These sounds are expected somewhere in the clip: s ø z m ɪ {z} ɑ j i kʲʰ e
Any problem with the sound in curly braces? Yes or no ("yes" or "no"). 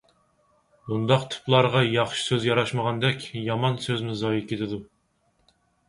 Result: no